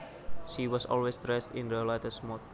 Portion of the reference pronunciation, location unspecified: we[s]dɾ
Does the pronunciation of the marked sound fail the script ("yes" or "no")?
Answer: no